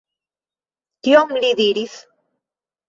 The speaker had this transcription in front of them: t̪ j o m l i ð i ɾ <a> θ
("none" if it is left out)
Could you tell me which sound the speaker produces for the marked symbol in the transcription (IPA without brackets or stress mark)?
i